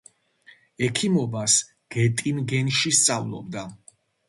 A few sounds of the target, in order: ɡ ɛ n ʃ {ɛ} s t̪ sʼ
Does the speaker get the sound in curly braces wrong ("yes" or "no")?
yes